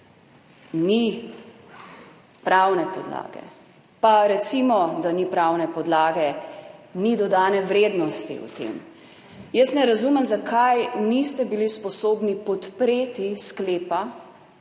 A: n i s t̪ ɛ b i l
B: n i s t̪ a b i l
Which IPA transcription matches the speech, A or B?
A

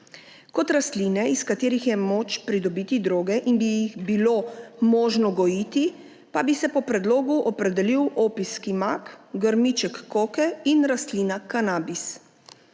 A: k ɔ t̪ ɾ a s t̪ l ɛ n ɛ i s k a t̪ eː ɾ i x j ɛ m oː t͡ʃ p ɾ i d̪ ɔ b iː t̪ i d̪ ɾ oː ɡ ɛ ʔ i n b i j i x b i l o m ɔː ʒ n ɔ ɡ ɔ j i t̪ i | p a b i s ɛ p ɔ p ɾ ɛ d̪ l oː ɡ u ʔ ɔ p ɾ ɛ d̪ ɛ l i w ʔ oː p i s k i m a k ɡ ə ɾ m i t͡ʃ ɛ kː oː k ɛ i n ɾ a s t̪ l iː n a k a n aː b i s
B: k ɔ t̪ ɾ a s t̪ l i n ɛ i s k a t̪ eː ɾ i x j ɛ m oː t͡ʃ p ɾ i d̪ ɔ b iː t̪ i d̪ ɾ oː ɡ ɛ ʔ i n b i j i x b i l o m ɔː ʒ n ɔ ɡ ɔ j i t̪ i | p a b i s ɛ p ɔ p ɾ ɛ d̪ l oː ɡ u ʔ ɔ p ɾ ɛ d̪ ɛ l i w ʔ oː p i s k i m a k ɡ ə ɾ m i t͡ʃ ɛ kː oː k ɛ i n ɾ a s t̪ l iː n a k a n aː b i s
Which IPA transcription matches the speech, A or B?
B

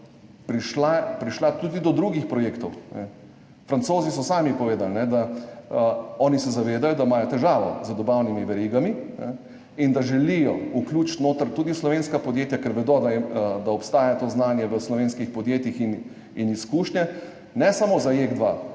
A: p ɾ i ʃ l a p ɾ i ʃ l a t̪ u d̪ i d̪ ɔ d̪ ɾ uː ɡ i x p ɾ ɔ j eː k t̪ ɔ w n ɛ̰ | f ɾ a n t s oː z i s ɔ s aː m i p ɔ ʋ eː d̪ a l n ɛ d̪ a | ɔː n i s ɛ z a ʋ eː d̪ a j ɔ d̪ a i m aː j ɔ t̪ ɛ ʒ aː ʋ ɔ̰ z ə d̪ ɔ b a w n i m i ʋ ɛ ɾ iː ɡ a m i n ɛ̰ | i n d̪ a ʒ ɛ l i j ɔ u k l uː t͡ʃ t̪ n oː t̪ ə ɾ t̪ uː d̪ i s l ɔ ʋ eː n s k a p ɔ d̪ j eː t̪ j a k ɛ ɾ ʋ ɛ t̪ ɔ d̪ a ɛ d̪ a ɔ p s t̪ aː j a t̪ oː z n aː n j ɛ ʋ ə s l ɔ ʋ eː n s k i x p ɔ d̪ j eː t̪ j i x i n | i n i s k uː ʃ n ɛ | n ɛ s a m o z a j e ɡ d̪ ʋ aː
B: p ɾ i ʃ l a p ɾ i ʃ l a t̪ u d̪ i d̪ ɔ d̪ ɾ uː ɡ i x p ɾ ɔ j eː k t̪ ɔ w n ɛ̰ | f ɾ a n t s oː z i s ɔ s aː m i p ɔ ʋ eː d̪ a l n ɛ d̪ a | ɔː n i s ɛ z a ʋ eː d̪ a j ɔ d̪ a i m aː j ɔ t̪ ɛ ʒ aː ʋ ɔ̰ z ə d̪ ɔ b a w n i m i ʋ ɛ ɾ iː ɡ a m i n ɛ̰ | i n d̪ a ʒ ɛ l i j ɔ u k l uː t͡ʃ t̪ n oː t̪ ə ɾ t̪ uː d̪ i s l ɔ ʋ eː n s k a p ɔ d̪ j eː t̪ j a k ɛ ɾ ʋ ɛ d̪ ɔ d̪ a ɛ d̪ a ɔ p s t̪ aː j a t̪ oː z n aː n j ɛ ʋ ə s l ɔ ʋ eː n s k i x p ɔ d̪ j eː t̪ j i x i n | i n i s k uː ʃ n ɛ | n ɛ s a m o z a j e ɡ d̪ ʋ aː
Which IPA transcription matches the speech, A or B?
B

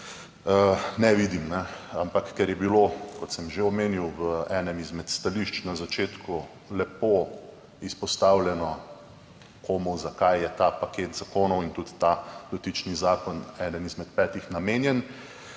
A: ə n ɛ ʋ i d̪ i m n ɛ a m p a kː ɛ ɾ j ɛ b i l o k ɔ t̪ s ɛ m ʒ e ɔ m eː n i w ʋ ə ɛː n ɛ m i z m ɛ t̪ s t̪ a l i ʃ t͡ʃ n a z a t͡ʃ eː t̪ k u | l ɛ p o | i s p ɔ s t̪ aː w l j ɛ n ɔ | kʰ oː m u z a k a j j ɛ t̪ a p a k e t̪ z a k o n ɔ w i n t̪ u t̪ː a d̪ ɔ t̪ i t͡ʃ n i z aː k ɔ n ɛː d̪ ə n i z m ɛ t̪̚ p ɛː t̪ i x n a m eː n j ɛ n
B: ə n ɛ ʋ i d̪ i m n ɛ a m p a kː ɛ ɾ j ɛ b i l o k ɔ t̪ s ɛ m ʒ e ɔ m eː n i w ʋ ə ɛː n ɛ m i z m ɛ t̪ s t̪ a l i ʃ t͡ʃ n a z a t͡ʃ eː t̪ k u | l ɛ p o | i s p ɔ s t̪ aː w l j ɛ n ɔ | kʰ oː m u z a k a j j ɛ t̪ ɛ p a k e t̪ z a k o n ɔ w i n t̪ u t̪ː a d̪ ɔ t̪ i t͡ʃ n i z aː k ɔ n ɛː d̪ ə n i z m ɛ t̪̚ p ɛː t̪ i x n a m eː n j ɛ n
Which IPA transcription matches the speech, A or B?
A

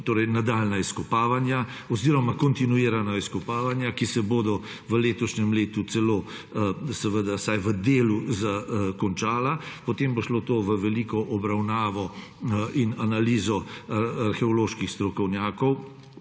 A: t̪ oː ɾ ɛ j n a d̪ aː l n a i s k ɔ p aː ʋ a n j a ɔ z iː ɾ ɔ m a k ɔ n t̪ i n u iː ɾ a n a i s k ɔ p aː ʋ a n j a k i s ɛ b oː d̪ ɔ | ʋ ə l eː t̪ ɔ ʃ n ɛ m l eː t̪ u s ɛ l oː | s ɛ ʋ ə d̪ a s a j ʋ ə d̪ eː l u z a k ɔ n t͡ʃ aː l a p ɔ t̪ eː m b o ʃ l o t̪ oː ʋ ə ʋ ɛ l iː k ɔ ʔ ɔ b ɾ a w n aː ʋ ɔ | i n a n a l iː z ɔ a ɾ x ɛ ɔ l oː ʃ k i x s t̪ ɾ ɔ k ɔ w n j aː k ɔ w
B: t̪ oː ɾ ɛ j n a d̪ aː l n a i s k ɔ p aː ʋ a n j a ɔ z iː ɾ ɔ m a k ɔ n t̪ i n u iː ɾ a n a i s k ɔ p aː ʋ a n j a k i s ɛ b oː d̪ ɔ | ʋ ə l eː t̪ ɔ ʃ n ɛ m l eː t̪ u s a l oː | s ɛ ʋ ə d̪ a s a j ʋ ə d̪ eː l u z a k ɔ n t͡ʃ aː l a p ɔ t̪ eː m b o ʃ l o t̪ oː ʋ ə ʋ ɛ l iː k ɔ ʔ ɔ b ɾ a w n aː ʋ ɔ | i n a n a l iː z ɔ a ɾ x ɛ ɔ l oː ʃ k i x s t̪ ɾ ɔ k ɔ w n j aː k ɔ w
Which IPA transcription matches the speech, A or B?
A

